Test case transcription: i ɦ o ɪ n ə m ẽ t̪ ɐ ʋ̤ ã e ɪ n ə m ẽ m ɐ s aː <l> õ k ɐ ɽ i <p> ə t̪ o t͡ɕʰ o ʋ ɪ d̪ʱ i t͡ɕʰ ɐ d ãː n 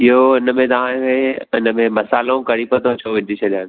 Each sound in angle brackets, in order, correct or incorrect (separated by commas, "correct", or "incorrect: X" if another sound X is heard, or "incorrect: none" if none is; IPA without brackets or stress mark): correct, correct